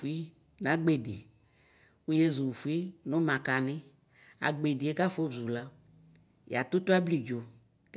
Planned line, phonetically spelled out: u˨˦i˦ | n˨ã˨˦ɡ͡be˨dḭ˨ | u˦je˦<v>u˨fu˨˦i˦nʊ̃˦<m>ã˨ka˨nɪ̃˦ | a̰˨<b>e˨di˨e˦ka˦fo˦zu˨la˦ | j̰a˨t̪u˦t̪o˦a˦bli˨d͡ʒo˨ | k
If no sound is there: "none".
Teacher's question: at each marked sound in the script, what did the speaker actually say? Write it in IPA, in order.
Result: z, m, ɡ͡b

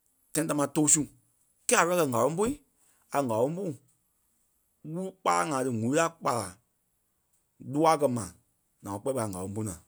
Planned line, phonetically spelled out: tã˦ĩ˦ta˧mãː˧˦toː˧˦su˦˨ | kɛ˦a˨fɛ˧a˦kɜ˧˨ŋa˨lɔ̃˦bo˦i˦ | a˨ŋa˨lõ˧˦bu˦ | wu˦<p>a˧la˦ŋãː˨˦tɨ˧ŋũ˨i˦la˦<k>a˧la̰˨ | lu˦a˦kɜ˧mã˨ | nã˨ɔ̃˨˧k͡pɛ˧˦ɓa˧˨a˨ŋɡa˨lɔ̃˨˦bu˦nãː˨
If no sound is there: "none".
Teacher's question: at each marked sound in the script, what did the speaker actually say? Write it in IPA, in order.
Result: k͡p, k͡p

